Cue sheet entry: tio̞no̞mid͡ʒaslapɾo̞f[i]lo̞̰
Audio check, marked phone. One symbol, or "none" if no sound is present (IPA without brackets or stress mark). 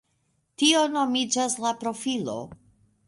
i